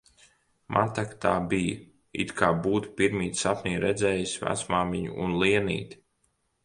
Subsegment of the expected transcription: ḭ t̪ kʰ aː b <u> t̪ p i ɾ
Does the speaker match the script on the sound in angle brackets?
no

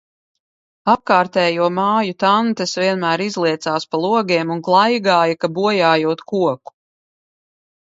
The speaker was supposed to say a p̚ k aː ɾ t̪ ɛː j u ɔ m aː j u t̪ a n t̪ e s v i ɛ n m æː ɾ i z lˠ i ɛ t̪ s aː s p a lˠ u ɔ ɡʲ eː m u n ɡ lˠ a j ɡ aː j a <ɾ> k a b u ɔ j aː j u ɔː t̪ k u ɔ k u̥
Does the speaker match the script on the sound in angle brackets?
no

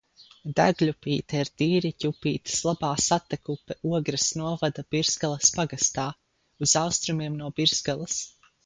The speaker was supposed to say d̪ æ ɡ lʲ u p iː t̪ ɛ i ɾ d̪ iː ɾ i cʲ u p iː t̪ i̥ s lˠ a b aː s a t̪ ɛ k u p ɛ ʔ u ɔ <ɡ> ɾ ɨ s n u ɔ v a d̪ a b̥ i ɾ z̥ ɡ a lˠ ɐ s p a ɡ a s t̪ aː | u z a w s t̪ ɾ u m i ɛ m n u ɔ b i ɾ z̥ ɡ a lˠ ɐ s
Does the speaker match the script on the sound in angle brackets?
yes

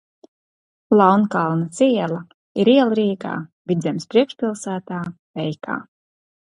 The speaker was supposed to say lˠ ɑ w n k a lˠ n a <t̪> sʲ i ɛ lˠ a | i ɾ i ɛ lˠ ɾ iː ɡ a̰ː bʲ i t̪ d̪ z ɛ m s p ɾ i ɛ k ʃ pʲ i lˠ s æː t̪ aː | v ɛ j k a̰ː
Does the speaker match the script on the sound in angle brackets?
yes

